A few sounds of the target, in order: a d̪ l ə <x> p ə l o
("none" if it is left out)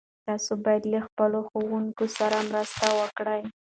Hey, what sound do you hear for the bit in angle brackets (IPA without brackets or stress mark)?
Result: x